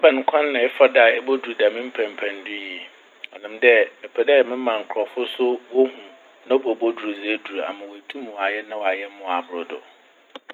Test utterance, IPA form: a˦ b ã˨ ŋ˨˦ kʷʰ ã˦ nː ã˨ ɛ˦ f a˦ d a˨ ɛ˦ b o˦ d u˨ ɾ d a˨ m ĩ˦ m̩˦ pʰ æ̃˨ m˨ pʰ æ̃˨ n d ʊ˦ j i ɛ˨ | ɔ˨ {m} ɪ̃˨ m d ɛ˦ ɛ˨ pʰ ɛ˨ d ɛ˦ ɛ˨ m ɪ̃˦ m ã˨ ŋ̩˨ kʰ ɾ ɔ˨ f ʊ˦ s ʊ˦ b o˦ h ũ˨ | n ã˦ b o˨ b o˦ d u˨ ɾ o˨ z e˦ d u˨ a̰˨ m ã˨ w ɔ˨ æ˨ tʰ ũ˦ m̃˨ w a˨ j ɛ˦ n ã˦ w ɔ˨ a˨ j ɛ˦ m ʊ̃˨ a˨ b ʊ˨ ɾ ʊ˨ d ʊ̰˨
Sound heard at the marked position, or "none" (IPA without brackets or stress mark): n